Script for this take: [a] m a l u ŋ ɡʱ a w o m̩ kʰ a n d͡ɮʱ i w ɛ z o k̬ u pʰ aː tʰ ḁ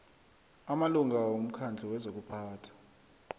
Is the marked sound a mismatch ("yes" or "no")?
no